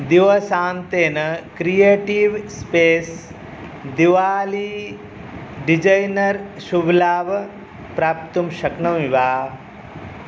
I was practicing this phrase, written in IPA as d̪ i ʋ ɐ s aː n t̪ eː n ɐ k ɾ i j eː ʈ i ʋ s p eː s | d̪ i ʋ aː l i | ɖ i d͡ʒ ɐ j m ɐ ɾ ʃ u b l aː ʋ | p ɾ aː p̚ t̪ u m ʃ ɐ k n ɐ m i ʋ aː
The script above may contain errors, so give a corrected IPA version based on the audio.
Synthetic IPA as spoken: d̪ i ʋ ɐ s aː n t̪ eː n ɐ k ɾ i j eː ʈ i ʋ s p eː s | d̪ i ʋ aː l i | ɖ i d͡ʒ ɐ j n ɐ ɾ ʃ u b l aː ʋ | p ɾ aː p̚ t̪ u m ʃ ɐ k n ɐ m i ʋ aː